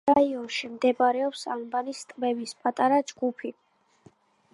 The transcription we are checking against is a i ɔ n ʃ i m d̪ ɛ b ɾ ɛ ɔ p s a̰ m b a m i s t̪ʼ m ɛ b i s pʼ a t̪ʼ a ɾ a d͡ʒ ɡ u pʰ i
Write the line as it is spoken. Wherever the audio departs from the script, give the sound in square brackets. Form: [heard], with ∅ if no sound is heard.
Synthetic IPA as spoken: a i ɔ n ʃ i m d̪ ɛ b ɾ ɛ ɔ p s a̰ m b a [n] i s t̪ʼ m ɛ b i s pʼ a t̪ʼ a ɾ a d͡ʒ ɡ u pʰ i